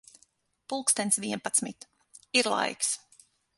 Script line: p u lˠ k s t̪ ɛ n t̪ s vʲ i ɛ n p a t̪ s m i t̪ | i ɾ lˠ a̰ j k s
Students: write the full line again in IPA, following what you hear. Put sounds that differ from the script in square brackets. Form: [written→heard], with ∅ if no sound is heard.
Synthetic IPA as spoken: p u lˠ k s t̪ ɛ n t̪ s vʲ i ɛ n p a t̪ s m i t̪ | i ɾ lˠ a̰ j k s